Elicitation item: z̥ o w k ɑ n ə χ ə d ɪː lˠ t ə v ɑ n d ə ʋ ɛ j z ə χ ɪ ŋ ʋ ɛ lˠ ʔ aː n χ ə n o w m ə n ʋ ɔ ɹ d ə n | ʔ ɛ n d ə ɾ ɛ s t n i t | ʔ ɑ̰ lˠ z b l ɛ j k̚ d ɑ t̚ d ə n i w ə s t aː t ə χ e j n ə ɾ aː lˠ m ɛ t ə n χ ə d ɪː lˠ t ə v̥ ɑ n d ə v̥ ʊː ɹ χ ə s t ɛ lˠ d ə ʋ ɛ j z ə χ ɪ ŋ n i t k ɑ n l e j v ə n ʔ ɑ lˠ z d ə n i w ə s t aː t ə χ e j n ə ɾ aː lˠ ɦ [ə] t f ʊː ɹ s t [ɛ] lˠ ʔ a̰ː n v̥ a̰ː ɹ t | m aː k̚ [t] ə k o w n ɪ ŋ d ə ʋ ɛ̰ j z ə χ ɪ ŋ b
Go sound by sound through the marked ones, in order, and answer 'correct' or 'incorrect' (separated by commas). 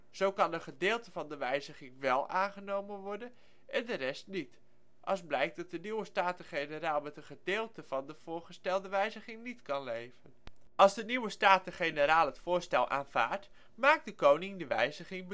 correct, correct, incorrect